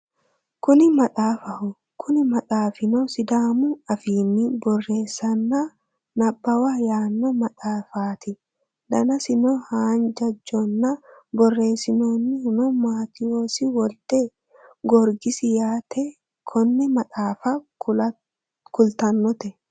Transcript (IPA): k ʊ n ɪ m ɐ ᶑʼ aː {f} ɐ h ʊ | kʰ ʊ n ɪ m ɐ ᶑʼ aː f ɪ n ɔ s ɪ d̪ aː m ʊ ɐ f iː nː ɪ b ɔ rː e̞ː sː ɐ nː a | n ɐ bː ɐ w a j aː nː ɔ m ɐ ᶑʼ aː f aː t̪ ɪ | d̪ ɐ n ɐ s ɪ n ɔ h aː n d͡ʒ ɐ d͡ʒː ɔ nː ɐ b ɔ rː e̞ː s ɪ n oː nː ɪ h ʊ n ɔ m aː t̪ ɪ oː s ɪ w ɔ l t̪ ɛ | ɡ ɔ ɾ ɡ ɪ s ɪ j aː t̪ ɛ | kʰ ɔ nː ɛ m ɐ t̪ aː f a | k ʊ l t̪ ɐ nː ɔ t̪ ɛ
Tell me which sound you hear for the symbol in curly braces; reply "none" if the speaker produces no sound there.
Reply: f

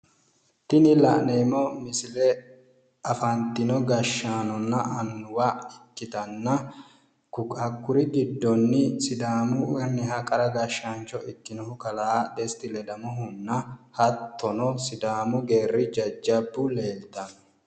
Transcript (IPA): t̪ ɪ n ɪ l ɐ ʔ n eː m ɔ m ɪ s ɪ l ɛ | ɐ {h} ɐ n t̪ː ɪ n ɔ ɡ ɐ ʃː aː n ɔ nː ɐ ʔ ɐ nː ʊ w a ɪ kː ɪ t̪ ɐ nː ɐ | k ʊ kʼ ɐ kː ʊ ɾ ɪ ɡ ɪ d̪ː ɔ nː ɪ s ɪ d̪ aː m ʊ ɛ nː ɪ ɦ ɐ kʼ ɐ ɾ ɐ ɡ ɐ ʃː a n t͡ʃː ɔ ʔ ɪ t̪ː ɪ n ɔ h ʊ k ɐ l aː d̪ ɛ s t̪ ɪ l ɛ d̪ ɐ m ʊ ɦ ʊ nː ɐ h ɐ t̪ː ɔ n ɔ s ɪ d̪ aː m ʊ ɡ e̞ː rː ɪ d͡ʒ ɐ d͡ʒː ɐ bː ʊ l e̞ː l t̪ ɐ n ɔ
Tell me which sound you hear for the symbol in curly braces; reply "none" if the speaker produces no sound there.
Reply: f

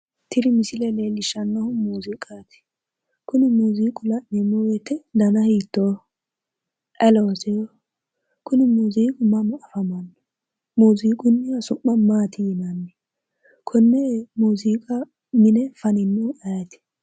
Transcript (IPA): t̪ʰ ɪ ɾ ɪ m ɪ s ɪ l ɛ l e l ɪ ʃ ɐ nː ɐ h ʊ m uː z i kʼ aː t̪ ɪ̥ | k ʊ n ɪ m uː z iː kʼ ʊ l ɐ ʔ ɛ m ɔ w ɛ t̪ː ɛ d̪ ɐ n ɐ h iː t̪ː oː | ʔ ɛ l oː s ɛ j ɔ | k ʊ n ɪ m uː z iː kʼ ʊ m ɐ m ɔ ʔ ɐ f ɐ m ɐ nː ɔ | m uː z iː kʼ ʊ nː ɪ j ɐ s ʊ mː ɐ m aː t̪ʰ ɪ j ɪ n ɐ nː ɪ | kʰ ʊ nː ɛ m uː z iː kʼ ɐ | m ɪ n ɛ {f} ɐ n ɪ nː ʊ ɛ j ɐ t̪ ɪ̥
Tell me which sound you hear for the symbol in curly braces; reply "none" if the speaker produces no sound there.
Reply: f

